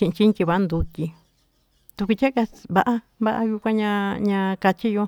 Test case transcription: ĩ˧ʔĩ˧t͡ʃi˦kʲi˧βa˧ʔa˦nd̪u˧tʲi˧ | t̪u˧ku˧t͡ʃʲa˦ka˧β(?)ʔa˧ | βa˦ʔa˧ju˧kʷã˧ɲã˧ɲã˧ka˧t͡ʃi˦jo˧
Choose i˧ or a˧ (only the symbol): a˧